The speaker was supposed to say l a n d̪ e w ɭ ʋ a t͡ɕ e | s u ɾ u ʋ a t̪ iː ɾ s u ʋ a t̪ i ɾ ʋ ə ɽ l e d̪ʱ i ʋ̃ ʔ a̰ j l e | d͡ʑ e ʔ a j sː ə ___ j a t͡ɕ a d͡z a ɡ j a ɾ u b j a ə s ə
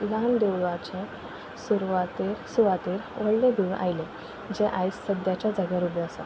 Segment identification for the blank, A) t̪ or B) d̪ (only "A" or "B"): B